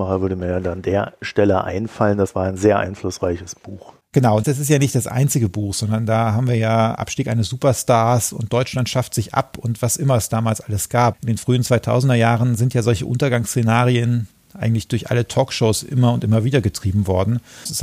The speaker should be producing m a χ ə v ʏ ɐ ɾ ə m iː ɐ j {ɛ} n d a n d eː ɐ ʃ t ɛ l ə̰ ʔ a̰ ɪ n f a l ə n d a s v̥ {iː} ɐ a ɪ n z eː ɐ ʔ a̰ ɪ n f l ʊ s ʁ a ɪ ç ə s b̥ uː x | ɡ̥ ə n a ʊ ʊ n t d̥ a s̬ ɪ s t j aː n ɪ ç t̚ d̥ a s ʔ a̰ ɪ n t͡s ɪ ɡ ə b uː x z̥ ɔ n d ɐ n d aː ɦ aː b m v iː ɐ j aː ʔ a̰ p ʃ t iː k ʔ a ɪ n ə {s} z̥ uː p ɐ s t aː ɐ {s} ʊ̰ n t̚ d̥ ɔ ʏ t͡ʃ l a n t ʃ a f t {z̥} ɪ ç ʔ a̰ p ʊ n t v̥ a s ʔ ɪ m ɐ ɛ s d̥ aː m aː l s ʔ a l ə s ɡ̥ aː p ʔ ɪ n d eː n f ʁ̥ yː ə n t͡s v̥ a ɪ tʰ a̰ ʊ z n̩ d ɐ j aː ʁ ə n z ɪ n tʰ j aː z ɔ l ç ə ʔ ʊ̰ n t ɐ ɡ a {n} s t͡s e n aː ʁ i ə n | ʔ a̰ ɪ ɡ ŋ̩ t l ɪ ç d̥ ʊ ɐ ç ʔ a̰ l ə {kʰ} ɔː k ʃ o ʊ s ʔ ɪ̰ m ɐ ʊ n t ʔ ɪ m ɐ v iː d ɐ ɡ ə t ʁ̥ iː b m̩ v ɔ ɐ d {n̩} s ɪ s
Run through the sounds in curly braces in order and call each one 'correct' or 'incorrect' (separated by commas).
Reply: incorrect, incorrect, correct, correct, correct, incorrect, incorrect, correct